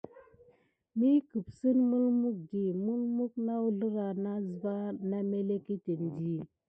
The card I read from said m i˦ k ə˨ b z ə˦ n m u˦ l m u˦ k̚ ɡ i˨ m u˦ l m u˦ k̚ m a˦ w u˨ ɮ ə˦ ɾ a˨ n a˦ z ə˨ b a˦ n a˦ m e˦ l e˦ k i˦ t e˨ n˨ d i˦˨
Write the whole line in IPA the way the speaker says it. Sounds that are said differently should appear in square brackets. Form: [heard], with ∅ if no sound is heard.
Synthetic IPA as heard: m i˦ k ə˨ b [s] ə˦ n m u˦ l m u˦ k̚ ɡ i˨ m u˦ l m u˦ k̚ [n] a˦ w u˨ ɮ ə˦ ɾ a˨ n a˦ z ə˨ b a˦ n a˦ m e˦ l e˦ k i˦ t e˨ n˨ d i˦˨